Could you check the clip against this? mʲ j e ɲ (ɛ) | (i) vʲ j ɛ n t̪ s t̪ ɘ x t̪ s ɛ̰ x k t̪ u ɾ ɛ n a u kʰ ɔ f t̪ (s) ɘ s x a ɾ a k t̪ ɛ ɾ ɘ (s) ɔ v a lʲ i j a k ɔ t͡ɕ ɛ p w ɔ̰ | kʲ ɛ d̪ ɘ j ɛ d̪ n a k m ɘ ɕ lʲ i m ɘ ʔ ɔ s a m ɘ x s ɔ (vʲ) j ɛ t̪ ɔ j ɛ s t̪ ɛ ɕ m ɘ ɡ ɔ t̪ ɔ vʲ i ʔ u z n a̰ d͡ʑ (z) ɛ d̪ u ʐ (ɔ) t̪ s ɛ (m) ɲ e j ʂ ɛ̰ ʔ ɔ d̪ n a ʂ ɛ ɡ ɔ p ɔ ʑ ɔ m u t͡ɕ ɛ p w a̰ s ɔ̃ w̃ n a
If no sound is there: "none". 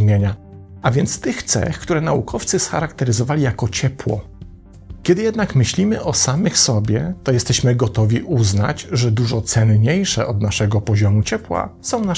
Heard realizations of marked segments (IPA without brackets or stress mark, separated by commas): a, a, s, z, bʲ, ʐ, ɔ, n